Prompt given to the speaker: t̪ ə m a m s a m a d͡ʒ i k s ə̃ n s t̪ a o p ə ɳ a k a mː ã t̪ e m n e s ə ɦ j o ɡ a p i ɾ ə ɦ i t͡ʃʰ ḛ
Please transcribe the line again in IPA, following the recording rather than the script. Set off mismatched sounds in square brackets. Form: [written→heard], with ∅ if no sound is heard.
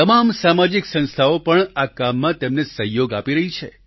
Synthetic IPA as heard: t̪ ə m a m s a m a d͡ʒ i k s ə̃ n s [t̪→t̪ʰ] a o p ə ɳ a k a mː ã t̪ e m n e s ə ɦ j o ɡ a p i ɾ ə ɦ i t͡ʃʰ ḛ